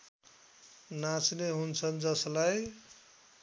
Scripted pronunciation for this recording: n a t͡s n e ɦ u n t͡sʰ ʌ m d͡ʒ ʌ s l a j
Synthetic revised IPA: n a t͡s n e ɦ u n t͡sʰ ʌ n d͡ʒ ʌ s l a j